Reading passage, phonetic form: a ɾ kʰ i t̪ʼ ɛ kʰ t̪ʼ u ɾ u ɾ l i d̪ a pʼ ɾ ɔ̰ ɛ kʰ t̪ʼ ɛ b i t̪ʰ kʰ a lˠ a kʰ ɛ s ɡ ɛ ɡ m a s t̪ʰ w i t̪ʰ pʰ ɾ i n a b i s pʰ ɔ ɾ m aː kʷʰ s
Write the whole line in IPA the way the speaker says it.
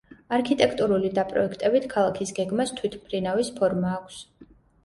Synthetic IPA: a ɾ kʰ i t̪ʼ ɛ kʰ t̪ʼ u ɾ u l i d̪ a pʼ ɾ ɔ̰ ɛ kʰ t̪ʼ ɛ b i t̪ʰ kʰ a lˠ a kʰ i s ɡ ɛ ɡ m a s t̪ʰ w i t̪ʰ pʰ ɾ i n a v i s pʰ ɔ ɾ m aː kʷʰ s